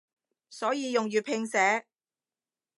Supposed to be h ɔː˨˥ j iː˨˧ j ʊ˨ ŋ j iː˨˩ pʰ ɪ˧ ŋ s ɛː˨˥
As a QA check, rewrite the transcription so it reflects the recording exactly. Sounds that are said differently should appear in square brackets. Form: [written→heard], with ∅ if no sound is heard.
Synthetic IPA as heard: [h→s] ɔː˨˥ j iː˨˧ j ʊ˨ ŋ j [iː˨˩→yː˨˩] pʰ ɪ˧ ŋ s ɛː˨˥